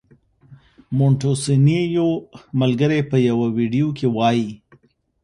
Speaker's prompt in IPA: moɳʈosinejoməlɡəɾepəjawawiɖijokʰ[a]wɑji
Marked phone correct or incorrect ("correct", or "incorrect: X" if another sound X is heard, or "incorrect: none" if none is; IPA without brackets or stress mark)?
incorrect: e